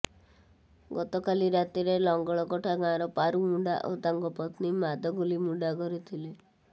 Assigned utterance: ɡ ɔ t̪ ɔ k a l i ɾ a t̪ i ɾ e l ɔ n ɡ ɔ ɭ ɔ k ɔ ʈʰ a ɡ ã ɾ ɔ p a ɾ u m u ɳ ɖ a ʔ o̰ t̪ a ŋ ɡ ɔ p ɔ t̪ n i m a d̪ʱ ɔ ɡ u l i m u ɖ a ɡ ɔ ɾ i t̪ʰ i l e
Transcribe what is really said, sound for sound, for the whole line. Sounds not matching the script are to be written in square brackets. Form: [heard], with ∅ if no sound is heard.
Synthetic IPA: ɡ ɔ t̪ ɔ k a l i ɾ a t̪ i ɾ e l ɔ [ŋ] ɡ ɔ ɭ ɔ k ɔ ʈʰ a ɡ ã ɾ ɔ p a ɾ u m u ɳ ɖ a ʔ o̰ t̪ a ŋ ɡ ɔ p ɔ t̪ n i m a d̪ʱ ɔ ɡ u l i m u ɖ a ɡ ɔ ɾ i t̪ʰ i l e